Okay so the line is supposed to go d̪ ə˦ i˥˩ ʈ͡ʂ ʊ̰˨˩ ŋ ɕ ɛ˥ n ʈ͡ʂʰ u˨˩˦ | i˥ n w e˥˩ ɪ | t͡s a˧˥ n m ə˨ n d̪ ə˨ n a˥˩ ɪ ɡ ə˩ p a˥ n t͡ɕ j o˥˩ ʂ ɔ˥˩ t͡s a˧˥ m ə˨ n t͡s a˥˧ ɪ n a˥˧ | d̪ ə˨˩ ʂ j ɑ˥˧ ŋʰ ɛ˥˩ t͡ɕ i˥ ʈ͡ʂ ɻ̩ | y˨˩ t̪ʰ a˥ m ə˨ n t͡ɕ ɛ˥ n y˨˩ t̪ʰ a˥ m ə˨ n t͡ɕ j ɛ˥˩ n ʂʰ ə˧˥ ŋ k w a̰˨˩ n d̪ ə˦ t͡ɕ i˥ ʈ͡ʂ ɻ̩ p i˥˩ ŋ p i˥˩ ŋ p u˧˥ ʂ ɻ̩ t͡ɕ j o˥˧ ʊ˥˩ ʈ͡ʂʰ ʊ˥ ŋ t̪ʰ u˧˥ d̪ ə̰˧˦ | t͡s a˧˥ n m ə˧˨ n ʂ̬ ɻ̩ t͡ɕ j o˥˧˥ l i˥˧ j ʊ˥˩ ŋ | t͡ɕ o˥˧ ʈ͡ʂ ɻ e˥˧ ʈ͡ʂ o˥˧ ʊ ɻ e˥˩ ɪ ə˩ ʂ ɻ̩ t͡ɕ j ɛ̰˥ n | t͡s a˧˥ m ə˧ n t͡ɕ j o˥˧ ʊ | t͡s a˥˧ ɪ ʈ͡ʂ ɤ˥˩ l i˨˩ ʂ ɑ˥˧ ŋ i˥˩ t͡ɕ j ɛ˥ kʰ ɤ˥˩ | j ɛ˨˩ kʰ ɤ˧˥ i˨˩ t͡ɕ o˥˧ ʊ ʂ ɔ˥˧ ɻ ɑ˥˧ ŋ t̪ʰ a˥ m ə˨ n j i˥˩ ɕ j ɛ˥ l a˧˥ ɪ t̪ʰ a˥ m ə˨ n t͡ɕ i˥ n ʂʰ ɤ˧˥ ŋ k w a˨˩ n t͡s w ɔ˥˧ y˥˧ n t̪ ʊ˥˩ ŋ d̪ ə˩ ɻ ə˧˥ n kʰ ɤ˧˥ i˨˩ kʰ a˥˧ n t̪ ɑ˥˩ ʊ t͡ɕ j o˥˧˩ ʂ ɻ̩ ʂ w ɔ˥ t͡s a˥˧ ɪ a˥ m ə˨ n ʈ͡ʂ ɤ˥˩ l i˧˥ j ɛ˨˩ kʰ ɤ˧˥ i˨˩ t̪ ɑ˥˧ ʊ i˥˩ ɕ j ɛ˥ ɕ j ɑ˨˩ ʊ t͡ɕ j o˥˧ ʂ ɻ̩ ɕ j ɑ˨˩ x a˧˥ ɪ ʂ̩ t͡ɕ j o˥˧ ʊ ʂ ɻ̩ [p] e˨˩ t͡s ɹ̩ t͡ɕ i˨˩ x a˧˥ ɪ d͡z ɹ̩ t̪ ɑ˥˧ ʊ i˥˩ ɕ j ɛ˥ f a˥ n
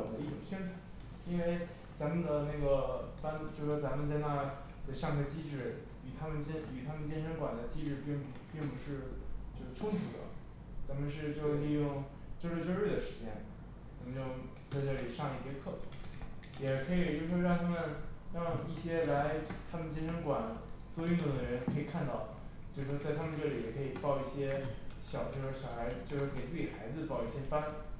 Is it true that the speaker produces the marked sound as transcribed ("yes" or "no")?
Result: no